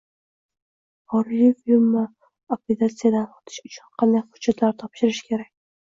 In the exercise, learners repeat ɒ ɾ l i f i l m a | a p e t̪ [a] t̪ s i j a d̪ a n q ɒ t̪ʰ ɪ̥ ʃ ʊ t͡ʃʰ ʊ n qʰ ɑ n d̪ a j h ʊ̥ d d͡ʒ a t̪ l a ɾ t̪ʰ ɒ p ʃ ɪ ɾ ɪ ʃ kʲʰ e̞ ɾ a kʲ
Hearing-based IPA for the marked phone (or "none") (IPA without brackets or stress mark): a